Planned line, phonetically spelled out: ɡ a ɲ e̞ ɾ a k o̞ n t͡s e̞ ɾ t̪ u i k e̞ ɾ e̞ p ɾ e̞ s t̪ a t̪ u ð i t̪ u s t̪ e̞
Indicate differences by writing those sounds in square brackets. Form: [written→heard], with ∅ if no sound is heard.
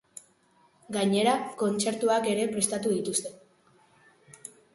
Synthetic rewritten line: ɡ a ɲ e̞ ɾ a k o̞ n t͡s e̞ ɾ t̪ u [i→a] k e̞ ɾ e̞ p ɾ e̞ s t̪ a t̪ u ð i t̪ u s t̪ e̞